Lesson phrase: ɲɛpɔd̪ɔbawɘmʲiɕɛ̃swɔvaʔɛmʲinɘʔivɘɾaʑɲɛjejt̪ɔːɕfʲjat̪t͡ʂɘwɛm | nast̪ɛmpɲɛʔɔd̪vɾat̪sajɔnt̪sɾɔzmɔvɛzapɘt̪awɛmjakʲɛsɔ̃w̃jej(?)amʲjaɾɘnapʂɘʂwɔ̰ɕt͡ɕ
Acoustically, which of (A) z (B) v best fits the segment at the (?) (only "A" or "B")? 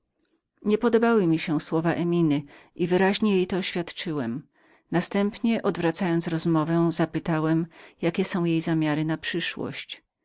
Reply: A